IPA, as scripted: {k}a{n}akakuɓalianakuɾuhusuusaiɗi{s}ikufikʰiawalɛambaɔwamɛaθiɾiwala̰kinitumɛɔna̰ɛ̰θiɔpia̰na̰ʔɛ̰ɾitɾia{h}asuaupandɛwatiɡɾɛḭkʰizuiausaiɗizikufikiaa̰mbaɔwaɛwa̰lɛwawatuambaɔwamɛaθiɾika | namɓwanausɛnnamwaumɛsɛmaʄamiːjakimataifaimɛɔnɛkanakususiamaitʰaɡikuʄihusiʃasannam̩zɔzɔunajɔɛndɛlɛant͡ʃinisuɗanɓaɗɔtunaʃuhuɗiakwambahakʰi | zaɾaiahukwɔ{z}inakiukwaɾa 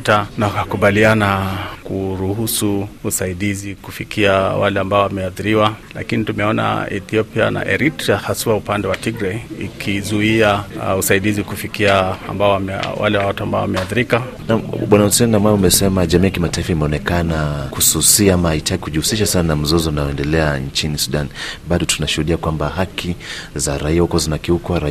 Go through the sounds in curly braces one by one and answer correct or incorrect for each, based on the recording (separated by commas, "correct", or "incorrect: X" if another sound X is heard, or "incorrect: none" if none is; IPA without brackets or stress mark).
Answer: incorrect: t, correct, incorrect: z, correct, correct